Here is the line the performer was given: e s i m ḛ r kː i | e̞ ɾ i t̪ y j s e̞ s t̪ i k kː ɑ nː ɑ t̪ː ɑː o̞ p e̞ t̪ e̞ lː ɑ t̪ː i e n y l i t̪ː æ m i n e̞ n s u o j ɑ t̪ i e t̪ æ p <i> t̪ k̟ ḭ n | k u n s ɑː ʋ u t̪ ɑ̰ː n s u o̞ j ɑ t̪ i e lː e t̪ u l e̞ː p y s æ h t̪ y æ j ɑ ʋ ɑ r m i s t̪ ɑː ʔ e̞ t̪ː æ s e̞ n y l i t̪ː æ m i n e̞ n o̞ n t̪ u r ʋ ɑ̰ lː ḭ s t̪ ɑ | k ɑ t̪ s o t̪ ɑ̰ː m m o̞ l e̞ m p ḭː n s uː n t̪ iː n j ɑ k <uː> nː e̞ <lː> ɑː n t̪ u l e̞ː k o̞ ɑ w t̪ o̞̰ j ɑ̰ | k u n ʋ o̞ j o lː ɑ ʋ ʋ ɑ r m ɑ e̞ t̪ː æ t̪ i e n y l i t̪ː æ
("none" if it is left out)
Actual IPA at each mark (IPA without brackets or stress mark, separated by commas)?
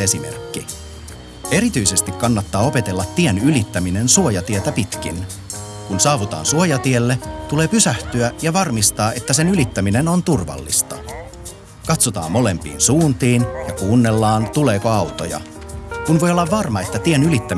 i, uː, lː